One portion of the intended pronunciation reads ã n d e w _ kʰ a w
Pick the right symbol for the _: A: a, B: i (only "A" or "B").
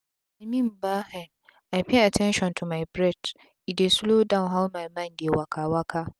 A